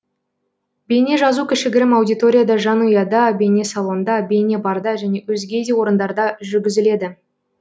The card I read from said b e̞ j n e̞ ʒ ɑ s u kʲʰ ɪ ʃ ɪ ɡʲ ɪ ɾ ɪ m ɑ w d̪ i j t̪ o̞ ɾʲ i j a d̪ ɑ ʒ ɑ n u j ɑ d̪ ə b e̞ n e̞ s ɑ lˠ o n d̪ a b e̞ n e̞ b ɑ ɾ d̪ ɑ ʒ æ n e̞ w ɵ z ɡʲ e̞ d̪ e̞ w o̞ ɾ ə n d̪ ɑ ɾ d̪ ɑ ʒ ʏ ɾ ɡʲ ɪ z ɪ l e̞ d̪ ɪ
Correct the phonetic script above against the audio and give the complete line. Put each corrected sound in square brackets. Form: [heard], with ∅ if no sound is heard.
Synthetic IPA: b e̞ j n e̞ ʒ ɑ [z] u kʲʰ ɪ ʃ ɪ ɡʲ ɪ ɾ ɪ m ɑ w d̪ i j t̪ o̞ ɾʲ i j a d̪ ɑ ʒ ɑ n u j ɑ d̪ [ɑ] b e̞ n e̞ s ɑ lˠ o n d̪ [ɑ] b e̞ n e̞ b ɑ ɾ d̪ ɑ ʒ æ n e̞ w ɵ z ɡʲ e̞ d̪ e̞ w o̞ ɾ ə n d̪ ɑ ɾ d̪ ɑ ʒ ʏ ɾ ɡʲ ɪ z ɪ l e̞ d̪ ɪ